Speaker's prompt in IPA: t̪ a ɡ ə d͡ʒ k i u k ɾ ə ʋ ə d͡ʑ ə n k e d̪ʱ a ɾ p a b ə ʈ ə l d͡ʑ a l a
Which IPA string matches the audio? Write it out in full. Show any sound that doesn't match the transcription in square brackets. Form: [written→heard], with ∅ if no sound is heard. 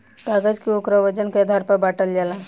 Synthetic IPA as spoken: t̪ a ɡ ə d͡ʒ k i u k ɾ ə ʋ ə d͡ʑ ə n k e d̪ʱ a ɾ p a b [ə→a] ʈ ə l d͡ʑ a l a